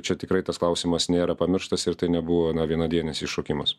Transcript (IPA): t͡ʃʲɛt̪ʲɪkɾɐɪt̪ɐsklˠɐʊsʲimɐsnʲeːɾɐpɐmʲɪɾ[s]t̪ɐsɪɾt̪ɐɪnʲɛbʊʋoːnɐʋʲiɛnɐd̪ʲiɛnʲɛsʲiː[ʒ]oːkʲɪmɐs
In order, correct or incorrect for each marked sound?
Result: incorrect: ʃ, incorrect: ʃ

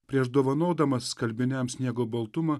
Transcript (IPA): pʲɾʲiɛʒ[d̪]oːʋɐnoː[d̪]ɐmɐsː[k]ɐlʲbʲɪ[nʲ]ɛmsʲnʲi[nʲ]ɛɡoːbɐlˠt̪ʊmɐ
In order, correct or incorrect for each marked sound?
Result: correct, correct, correct, correct, incorrect: none

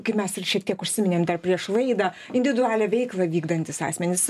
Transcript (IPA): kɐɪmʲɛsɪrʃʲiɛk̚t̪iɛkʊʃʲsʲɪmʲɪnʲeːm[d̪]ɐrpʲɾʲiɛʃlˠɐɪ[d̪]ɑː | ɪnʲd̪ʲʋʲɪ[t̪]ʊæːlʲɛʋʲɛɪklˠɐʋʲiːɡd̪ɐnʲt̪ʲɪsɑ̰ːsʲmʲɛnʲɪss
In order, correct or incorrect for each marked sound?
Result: correct, correct, incorrect: d̪

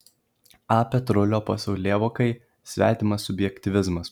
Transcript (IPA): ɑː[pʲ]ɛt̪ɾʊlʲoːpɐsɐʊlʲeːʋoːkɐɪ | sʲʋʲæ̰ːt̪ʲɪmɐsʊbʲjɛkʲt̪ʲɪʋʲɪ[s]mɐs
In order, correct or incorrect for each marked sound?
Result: correct, incorrect: z

